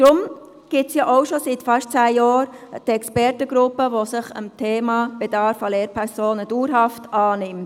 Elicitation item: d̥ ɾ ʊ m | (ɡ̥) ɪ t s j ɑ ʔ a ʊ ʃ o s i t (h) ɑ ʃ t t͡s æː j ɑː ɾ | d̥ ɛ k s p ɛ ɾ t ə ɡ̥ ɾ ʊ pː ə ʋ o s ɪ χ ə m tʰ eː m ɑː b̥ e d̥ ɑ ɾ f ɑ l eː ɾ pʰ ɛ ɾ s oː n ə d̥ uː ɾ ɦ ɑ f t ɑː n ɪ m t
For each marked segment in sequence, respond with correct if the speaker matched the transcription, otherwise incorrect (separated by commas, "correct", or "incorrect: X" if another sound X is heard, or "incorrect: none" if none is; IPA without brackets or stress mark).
correct, incorrect: f